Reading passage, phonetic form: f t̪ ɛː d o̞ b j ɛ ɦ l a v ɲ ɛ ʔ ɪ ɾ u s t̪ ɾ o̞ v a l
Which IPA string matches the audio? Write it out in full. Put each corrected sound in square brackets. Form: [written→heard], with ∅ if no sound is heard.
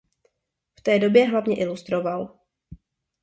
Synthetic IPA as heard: f t̪ ɛː d o̞ b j ɛ ɦ l a v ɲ ɛ ʔ ɪ [ɾ→l] u s t̪ ɾ o̞ v a l